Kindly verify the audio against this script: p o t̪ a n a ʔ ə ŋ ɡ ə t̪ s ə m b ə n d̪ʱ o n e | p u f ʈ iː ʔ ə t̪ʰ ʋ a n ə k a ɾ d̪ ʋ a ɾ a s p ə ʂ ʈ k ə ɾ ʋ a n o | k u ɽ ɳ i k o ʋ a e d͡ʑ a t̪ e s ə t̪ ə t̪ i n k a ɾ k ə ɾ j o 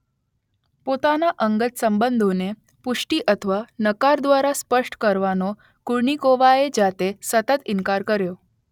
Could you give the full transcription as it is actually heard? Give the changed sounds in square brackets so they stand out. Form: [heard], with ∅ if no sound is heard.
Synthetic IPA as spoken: p o t̪ a n a ʔ ə ŋ ɡ ə t̪ s ə m b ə n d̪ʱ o n e | p u [ʂ] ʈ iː ʔ ə t̪ʰ ʋ a n ə k a ɾ d̪ ʋ a ɾ a s p ə ʂ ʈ k ə ɾ ʋ a n o | k u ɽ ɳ i k o ʋ a e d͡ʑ a t̪ e s ə t̪ ə t̪ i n k a ɾ k ə ɾ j o